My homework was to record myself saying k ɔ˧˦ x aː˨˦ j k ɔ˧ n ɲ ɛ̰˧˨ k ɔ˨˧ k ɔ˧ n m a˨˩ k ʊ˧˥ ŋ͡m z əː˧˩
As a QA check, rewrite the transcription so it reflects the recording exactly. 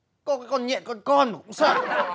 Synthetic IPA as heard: k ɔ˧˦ k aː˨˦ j k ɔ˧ n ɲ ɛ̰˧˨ k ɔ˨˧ k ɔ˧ n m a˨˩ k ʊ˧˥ ŋ͡m s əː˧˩